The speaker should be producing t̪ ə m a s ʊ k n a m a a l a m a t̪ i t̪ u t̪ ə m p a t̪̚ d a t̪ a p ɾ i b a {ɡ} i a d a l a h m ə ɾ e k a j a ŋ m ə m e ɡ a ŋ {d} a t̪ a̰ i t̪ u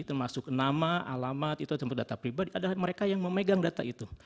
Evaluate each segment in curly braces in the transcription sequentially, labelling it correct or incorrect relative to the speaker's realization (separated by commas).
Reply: incorrect, correct